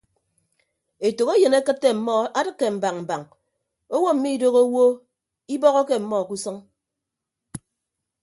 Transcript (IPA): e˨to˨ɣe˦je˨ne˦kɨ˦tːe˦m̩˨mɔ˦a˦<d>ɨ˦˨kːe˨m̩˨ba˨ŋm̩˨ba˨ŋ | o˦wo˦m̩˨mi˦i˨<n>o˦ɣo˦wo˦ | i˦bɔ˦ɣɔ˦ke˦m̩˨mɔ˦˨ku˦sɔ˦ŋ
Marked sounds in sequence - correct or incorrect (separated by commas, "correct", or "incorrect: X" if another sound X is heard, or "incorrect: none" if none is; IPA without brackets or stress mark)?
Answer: correct, incorrect: d